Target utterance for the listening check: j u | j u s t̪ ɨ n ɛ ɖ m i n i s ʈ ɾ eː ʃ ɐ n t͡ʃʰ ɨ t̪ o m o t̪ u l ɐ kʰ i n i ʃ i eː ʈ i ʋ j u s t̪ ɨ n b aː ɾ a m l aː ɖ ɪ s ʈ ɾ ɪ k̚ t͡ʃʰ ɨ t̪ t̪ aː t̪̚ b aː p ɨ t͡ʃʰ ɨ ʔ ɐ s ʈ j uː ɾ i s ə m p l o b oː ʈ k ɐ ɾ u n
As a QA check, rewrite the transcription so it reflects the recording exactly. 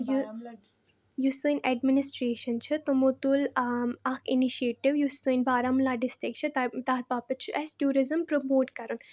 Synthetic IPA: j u | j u s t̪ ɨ n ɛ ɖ m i n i s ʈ ɾ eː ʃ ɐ n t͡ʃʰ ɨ t̪ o m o t̪ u l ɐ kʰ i n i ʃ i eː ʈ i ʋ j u s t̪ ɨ n b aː ɾ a m l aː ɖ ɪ s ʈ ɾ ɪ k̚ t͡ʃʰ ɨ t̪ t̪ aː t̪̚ b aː p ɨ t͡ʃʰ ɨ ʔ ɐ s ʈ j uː ɾ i z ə m p ɾ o m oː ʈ k ɐ ɾ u n